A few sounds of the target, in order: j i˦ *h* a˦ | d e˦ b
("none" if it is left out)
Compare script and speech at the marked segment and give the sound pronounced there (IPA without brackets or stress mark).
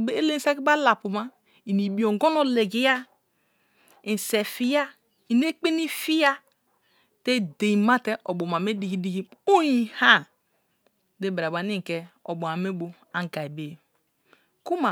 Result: h